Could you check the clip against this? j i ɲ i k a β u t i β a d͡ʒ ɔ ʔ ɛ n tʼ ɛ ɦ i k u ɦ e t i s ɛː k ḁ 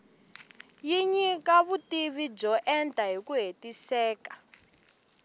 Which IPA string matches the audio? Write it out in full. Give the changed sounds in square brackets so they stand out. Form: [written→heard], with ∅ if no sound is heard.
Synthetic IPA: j i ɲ i k a β u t i β [a→i] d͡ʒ ɔ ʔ ɛ n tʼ [ɛ→a] ɦ i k u ɦ e t i s ɛː k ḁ